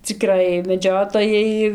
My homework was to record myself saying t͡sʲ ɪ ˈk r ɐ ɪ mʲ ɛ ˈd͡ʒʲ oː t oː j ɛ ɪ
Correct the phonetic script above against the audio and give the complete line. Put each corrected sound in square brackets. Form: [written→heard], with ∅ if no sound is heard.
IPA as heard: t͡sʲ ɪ ˈk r ɐ ɪ mʲ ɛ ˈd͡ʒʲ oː t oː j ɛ ɪ

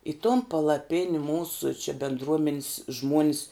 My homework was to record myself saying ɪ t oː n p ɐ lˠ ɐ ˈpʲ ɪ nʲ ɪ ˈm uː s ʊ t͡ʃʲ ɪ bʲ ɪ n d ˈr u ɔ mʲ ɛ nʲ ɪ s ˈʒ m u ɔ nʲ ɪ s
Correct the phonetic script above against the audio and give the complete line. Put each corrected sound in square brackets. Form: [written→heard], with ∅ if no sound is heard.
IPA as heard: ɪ t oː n p ɐ lˠ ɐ ˈpʲ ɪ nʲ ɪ ˈm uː s ʊ t͡ʃʲ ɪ bʲ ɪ n d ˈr u ɔ mʲ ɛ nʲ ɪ s ˈʒ m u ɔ nʲ ɪ s

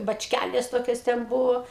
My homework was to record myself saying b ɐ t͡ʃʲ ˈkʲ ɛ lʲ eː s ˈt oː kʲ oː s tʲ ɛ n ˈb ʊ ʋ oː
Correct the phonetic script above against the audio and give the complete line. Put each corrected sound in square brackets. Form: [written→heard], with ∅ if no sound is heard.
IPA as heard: b ɐ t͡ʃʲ ˈkʲ [ɛ→æ] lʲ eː s ˈt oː kʲ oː s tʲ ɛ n ˈb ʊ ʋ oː

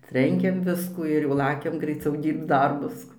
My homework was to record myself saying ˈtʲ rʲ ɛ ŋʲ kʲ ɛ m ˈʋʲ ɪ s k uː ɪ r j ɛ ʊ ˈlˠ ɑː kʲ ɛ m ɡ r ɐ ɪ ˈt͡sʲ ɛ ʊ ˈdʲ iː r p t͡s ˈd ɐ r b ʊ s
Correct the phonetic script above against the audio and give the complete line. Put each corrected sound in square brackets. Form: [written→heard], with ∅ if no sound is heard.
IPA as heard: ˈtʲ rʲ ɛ ŋʲ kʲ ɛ m ˈʋʲ ɪ s k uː ɪ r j ɛ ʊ ˈlˠ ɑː kʲ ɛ m ɡ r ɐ ɪ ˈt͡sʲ ɛ ʊ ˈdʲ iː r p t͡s ˈd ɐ r b ʊ s

